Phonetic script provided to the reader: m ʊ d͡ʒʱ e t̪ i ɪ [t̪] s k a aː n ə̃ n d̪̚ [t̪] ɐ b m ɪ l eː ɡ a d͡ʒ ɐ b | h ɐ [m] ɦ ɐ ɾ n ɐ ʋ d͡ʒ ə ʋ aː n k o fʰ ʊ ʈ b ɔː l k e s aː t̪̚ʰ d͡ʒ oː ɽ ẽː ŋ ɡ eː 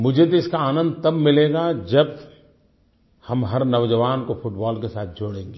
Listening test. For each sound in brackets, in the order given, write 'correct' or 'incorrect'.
incorrect, correct, correct

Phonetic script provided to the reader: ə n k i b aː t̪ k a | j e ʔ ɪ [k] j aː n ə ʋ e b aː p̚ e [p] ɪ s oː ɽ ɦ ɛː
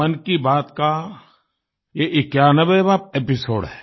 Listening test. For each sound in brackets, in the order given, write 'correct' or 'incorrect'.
correct, correct

